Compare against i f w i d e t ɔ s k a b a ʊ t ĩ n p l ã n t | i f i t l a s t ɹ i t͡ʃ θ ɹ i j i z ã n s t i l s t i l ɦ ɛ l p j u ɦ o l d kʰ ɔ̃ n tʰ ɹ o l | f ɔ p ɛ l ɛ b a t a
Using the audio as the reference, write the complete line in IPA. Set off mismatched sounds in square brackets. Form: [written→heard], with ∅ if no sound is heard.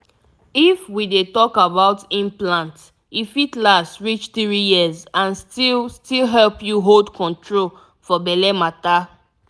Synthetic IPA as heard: i f w i d e t ɔ [s→∅] k a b a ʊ t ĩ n p l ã n t | i f i t l a s t ɹ i t͡ʃ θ ɹ i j i z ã n s t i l s t i l ɦ ɛ l p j u ɦ o l d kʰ ɔ̃ n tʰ ɹ o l | f ɔ [p→b] ɛ l ɛ [b→m] a t a